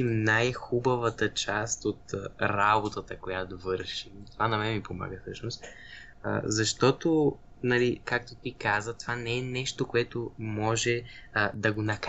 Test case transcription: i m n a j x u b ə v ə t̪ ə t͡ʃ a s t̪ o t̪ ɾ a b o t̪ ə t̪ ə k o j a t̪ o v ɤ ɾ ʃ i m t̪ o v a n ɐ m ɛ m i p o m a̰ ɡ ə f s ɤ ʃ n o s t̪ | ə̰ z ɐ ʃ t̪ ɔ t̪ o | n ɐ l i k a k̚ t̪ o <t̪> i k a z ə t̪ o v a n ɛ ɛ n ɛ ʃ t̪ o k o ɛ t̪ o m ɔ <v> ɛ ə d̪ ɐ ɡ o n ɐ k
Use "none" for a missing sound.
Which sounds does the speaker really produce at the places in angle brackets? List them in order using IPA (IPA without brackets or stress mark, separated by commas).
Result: t̪, ʒ